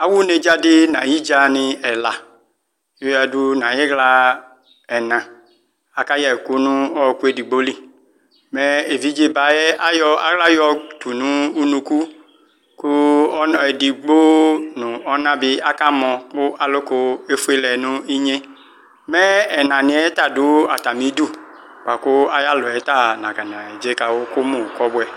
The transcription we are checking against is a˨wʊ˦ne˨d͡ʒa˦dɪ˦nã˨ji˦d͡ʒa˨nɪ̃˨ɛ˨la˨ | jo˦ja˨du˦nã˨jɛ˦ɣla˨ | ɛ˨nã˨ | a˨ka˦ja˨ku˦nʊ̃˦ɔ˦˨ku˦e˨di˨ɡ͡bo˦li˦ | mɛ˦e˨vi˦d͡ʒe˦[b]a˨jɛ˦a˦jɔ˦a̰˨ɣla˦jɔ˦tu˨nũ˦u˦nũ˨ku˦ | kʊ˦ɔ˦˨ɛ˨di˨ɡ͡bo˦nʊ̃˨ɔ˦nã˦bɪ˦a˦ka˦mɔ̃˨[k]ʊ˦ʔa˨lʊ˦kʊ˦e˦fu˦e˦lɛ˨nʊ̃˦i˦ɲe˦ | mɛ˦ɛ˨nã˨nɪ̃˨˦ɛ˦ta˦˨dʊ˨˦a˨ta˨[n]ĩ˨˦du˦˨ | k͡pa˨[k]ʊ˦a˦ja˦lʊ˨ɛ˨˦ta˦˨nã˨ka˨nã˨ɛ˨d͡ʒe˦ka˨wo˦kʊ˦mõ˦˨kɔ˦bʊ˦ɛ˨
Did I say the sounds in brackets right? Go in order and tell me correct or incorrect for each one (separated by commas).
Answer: correct, correct, incorrect, correct